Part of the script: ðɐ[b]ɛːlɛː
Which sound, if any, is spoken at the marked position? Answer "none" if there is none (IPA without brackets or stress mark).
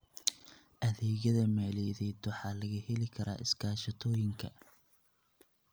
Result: m